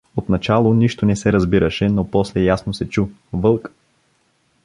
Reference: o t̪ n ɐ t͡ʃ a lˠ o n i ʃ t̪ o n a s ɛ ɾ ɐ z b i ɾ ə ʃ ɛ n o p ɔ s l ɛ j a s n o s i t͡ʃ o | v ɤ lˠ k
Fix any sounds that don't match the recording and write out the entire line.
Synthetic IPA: o t̪ n ɐ t͡ʃ a lˠ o n i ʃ t̪ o n ɛ s ɛ ɾ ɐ z b i ɾ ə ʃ ɛ n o p ɔ s l ɛ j a s n o s ɛ t͡ʃ u | v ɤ lˠ k